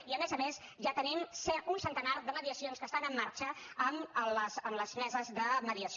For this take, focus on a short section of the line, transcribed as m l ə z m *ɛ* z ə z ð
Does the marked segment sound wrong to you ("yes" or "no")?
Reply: no